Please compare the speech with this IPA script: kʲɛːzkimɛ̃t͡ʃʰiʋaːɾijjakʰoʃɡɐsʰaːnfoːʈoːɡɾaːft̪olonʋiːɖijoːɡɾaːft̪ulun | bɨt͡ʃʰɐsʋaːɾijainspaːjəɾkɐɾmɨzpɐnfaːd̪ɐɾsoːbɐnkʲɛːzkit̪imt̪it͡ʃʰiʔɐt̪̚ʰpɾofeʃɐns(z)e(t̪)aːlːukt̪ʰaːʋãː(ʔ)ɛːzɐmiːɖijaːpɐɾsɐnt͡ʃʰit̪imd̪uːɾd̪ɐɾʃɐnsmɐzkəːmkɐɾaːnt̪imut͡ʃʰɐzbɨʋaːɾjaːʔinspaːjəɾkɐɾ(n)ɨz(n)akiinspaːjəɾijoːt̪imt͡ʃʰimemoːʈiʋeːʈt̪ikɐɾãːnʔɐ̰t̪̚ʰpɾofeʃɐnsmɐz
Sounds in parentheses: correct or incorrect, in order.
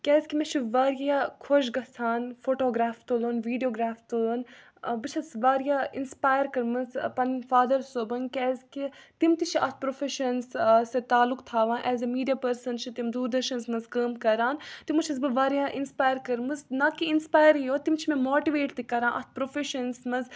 incorrect: s, correct, correct, incorrect: m, correct

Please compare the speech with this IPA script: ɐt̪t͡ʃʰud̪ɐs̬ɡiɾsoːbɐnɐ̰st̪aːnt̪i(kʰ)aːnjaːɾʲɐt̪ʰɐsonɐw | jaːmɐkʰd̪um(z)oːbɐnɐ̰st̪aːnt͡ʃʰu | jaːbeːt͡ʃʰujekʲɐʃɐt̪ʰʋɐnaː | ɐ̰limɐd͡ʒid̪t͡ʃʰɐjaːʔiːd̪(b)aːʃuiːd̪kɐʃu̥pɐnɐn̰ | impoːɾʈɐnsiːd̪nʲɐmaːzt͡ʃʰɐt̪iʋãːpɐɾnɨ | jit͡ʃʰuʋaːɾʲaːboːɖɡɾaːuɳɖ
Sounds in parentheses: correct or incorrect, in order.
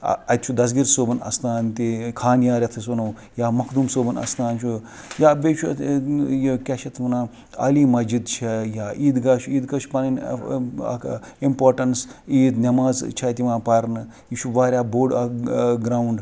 correct, incorrect: s, incorrect: ɡ

